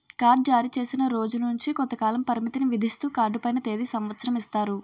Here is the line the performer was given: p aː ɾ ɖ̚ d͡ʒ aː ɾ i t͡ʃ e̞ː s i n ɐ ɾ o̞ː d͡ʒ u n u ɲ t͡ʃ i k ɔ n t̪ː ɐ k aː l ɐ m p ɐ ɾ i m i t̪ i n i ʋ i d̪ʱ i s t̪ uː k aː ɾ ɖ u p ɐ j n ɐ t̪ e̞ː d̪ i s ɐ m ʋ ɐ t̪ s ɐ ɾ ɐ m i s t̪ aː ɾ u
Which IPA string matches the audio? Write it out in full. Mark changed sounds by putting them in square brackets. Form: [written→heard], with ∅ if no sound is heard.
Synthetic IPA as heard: [p→k] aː ɾ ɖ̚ d͡ʒ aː ɾ i t͡ʃ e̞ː s i n ɐ ɾ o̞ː d͡ʒ u n u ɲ t͡ʃ i k ɔ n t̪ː ɐ k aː l ɐ m p ɐ ɾ i m i t̪ i n i ʋ i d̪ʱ i s t̪ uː k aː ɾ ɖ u p ɐ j n ɐ t̪ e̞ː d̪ i s ɐ m ʋ ɐ t̪ s ɐ ɾ ɐ m i s t̪ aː ɾ u